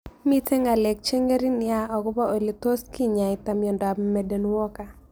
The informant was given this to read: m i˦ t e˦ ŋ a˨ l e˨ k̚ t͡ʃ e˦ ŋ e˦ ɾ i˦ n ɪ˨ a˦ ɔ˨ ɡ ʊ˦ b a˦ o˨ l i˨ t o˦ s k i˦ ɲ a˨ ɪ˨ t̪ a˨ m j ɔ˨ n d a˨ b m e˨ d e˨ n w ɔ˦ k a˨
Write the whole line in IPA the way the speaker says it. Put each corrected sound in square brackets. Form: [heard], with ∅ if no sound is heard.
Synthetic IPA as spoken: m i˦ t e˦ ŋ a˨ l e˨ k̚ t͡ʃ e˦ ŋ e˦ ɾ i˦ n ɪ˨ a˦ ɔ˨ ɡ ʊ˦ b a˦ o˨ l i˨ t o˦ s k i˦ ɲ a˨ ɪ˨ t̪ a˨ m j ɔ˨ n d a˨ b m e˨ d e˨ n w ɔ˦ k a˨